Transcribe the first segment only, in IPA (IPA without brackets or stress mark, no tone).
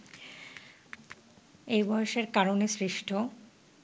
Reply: e